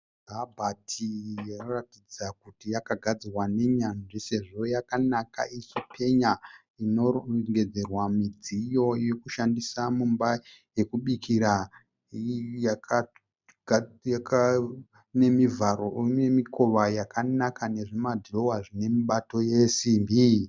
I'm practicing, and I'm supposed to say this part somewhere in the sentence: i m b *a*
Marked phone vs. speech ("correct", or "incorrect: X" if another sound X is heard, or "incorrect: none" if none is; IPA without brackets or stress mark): incorrect: i